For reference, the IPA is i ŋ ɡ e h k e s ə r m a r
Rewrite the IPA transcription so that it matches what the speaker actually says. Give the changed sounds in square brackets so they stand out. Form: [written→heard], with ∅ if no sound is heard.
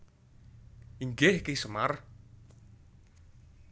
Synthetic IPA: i ŋ ɡ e h k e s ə [r→∅] m a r